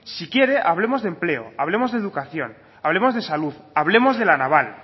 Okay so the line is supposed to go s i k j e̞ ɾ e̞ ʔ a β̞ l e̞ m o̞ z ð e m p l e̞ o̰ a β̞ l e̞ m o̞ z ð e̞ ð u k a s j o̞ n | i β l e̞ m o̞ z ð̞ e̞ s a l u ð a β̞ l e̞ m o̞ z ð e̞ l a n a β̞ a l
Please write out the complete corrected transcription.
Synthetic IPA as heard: s i k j e̞ ɾ e̞ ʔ a β̞ l e̞ m o̞ z ð e m p l e̞ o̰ a β̞ l e̞ m o̞ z ð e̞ ð u k a θ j o̞ n | a β l e̞ m o̞ z ð̞ e̞ s a l u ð a β̞ l e̞ m o̞ z ð e̞ l a n a β̞ a l